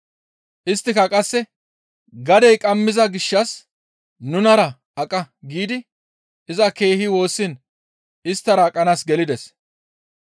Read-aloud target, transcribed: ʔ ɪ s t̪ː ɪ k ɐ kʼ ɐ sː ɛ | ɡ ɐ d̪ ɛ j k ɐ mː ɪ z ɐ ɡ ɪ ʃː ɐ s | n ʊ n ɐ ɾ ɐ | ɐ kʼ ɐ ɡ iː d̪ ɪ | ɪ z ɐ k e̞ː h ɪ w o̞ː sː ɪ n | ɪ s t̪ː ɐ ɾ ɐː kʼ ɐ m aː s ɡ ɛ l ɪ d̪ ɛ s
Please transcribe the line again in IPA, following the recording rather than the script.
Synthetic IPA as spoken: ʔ ɪ s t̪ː ɪ k ɐ kʼ ɐ sː ɛ | ɡ ɐ d̪ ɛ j kʼ ɐ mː ɪ z ɐ ɡ ɪ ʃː ɐ s | n ʊ n ɐ ɾ ɐ | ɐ kʼ ɐ ɡ iː d̪ ɪ | ɪ z ɐ k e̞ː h ɪ w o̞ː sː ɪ n | ɪ s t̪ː ɐ ɾ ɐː kʼ ɐ n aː s ɡ ɛ l ɪ d̪ ɛ s